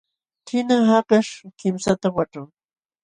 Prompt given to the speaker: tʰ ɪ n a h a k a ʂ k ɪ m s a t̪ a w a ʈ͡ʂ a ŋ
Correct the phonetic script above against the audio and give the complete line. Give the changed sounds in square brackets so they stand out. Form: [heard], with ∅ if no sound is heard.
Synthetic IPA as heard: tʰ ɪ n a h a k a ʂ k ɪ m s a t̪ a w a ʈ͡ʂ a ŋ